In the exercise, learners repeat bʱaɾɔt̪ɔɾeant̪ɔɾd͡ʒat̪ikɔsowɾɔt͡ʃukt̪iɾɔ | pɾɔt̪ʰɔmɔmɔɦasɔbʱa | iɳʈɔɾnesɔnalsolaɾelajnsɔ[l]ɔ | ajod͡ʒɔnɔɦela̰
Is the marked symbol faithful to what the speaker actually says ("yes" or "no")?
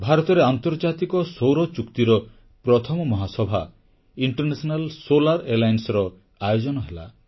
no